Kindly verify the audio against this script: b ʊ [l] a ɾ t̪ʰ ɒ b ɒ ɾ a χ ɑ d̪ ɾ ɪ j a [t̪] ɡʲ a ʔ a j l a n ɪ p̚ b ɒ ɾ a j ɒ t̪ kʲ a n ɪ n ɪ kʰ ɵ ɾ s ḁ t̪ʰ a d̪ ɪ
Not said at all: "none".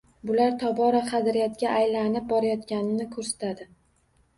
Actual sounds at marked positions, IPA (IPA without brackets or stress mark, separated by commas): l, t̪